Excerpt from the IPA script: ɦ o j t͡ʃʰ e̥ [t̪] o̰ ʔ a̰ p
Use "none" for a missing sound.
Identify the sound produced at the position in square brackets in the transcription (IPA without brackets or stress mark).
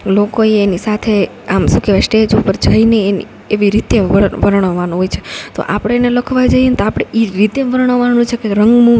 t̪